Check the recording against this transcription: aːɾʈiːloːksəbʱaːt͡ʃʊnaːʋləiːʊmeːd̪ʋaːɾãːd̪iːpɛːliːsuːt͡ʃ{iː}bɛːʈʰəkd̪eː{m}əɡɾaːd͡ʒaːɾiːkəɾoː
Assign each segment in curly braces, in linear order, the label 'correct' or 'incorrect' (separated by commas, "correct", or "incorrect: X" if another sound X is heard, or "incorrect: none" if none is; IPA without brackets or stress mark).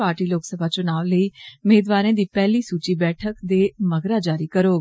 correct, correct